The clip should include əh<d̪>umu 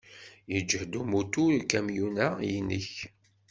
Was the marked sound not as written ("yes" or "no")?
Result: no